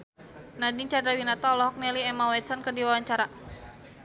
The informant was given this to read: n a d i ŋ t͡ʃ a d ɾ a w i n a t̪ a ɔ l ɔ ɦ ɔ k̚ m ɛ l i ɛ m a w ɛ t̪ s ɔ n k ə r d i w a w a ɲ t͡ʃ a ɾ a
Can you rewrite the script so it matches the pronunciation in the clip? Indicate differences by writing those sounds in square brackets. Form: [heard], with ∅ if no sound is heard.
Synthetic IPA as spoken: n a d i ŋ t͡ʃ a d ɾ a w i n a t̪ a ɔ l ɔ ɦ ɔ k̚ [n] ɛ l i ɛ m a w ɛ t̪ s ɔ n k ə r d i w a w a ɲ t͡ʃ a ɾ a